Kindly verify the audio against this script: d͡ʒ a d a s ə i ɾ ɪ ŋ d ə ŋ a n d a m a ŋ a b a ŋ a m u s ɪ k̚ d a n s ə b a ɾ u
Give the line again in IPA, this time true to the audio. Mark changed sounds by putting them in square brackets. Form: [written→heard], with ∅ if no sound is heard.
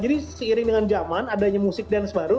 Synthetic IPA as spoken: d͡ʒ a d [a→i] s ə i ɾ ɪ ŋ d ə ŋ a n [d→d͡ʒ] a m a [ŋ→n] a [b→d] a [ŋ→ɲ] a m u s ɪ k̚ d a n s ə b a ɾ u